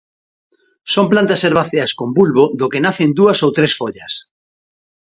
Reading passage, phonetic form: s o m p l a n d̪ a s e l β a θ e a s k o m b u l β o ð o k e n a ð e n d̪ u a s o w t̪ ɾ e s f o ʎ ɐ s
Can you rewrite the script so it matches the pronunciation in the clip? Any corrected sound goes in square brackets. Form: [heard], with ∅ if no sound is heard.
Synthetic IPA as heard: s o m p l a n [t̪] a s e [ɾ] β a θ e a s k o m b u l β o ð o k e n a [θ] e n d̪ u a s o w t̪ ɾ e s f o ʎ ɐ s